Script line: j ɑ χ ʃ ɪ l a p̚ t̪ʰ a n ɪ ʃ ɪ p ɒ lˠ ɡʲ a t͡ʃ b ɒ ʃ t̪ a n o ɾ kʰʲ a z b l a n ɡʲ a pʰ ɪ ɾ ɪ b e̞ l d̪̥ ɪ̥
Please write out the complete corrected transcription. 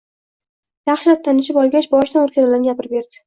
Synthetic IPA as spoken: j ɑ χ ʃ ɪ l a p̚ t̪ʰ a n ɪ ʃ ɪ p ɒ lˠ ɡʲ a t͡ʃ b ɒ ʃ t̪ a n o ɾ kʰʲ a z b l a n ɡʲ a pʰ ɪ ɾ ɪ b e̞ ɾ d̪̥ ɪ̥